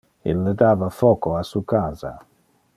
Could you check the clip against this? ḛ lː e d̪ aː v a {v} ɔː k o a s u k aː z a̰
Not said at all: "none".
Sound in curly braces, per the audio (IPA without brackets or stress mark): f